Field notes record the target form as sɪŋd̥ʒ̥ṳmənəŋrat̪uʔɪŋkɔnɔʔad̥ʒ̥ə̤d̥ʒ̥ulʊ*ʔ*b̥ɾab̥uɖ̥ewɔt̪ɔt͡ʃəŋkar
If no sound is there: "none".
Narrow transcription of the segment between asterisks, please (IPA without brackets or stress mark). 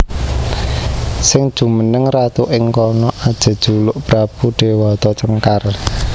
ʔ